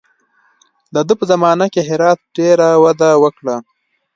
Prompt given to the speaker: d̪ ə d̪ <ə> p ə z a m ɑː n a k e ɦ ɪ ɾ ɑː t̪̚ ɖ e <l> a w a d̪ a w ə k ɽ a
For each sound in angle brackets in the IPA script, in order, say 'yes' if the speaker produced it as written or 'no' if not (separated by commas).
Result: yes, no